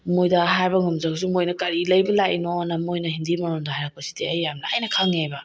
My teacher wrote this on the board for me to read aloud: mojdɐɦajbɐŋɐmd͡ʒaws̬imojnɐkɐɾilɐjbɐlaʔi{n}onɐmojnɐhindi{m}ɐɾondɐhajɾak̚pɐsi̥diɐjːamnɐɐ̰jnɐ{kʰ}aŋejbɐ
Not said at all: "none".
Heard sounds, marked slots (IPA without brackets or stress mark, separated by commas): n, m, kʰ